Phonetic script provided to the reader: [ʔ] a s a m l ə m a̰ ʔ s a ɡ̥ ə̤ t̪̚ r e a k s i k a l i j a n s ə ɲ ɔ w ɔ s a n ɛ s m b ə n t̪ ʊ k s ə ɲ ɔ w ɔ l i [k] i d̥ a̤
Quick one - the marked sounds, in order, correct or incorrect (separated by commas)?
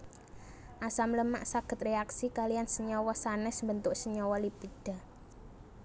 correct, incorrect